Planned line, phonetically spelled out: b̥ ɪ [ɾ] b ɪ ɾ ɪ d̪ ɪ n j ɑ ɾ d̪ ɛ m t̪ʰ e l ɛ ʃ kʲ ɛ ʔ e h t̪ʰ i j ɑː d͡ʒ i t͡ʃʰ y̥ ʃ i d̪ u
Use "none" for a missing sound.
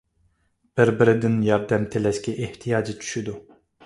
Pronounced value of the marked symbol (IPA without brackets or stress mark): ɾ